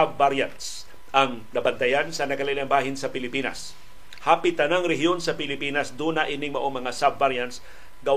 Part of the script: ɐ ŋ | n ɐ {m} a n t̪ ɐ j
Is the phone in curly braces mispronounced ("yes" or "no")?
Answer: yes